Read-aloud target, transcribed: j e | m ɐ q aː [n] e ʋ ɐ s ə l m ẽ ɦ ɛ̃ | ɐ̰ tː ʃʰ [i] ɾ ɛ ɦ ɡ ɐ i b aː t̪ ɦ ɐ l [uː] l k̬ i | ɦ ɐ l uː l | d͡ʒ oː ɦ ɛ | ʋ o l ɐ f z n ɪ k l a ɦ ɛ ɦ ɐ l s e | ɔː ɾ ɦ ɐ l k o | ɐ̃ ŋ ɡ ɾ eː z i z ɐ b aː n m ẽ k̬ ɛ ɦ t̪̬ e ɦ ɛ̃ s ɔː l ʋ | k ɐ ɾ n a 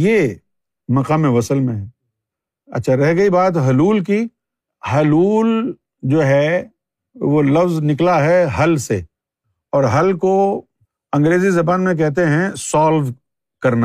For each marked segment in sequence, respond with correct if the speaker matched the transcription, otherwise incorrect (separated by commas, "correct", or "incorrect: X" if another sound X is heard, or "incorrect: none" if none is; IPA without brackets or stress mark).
incorrect: m, incorrect: a, correct